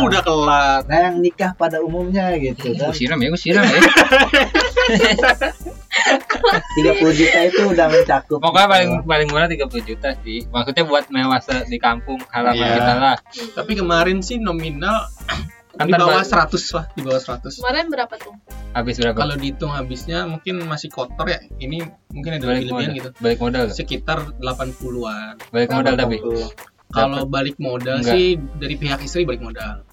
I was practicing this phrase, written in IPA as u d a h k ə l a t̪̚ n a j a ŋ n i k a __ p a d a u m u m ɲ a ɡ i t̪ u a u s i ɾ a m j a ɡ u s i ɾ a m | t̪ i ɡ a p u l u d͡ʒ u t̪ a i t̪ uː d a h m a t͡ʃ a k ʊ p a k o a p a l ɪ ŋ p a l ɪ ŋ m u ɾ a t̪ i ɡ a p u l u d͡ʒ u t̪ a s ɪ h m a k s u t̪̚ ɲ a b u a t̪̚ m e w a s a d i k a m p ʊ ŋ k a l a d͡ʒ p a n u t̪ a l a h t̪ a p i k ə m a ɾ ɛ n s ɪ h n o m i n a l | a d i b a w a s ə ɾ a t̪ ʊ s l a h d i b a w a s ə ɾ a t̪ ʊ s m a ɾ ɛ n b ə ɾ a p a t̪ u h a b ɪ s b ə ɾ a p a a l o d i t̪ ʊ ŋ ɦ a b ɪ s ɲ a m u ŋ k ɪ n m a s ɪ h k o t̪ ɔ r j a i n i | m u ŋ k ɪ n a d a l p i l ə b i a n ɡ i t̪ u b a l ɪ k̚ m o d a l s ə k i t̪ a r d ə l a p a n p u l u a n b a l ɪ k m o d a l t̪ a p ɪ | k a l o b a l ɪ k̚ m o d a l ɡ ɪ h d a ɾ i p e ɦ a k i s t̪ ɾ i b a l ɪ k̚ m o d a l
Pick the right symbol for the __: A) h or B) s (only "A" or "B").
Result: A